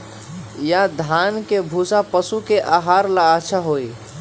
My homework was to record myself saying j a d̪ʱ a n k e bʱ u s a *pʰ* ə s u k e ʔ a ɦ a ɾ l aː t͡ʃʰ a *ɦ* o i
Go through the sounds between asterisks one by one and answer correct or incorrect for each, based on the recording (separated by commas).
incorrect, correct